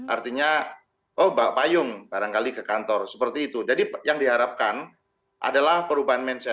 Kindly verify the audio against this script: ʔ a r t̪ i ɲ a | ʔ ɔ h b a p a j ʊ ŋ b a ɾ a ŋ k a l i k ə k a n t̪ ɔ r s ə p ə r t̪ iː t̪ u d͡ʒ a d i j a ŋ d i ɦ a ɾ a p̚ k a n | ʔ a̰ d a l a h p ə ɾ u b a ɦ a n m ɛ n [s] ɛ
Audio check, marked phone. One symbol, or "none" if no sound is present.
s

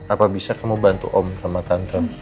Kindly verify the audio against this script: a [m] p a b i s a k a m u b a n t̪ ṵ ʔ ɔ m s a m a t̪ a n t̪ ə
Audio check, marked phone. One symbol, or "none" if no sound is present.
none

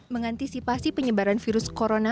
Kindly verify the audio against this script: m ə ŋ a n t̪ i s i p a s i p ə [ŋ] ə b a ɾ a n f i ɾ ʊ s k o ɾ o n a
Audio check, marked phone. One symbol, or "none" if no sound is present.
ɲ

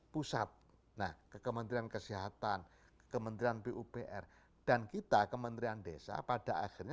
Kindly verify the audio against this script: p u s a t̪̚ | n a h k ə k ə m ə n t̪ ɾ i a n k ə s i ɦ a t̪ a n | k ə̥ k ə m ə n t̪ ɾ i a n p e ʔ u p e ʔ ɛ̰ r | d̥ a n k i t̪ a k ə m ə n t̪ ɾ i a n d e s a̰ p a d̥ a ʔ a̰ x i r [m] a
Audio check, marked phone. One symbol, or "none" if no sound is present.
ɲ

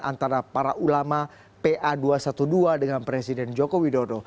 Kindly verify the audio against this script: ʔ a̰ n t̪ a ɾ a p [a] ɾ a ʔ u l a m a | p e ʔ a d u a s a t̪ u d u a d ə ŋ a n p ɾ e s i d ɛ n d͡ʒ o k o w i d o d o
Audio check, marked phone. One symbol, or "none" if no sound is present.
a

